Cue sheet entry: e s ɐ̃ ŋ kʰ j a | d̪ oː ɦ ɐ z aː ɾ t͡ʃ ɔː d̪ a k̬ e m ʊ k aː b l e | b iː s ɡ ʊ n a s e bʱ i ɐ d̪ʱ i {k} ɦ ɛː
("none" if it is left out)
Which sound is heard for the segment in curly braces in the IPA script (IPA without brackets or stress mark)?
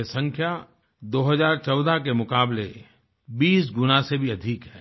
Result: k